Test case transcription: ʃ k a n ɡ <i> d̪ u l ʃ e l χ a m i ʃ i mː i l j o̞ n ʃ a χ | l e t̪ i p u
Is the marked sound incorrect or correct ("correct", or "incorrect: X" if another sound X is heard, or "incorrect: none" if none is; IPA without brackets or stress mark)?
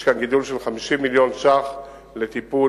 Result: correct